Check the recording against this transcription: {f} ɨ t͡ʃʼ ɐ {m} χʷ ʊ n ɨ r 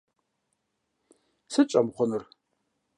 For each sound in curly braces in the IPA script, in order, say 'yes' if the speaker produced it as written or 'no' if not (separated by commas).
no, yes